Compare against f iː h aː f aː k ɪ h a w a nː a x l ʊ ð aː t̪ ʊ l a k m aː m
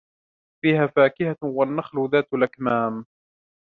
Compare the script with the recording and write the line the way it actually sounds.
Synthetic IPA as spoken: f iː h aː f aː k ɪ h a w a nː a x l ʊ ð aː t̪ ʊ l a k m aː m